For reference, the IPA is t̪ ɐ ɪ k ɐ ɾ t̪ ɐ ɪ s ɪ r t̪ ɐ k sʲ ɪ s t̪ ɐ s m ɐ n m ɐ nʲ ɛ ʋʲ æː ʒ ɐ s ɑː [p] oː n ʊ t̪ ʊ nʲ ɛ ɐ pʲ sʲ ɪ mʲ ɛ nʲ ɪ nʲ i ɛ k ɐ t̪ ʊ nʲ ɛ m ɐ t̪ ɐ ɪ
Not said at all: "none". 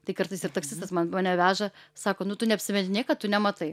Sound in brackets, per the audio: k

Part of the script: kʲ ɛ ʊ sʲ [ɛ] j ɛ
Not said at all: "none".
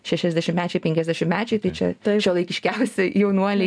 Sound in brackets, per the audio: ɛ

